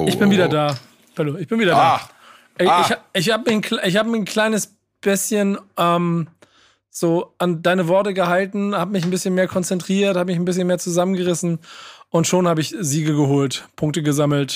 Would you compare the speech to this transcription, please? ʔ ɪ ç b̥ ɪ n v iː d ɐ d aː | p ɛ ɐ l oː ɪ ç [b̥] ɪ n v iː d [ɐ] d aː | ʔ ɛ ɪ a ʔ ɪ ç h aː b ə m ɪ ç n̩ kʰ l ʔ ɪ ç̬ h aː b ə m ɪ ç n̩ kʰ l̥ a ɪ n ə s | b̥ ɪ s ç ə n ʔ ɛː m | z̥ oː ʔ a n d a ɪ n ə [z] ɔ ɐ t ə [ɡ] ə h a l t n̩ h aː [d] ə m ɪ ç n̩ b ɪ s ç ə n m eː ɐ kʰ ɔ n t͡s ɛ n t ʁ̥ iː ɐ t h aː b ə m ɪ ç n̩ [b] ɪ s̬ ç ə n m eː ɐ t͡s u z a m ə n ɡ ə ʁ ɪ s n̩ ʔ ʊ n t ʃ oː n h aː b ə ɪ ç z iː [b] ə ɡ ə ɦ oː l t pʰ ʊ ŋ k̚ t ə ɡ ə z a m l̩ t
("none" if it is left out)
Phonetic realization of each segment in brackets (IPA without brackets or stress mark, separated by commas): b̥, ɐ, v, ɡ, b, b, ɡ